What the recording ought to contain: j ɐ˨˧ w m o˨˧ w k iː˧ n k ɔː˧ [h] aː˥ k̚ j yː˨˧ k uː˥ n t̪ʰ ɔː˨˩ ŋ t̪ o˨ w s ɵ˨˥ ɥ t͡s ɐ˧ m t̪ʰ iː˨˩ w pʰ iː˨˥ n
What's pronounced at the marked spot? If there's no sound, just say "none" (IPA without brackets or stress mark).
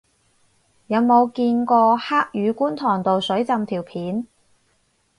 h